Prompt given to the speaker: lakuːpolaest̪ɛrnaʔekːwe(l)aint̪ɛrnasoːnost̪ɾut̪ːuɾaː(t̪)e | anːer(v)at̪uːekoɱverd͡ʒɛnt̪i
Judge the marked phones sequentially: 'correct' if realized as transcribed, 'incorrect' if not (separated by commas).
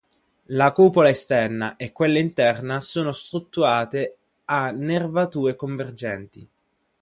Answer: incorrect, correct, correct